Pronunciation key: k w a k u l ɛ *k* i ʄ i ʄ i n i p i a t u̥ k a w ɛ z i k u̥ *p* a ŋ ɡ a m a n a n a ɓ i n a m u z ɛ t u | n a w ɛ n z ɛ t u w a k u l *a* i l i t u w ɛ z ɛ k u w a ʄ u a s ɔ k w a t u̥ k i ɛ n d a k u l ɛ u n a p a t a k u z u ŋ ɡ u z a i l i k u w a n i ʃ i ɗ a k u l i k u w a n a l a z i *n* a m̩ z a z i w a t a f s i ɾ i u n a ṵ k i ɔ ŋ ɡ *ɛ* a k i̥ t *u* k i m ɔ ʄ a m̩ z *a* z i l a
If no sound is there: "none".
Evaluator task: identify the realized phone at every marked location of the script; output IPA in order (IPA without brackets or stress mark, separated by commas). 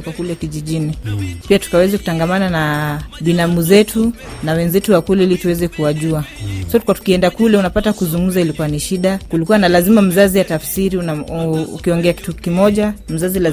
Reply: k, t, ɛ, m, ɛ, u, a